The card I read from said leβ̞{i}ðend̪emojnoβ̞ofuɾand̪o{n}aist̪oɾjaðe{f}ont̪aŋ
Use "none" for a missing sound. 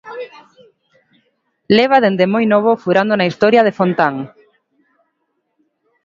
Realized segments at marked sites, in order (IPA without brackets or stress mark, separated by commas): a, n, f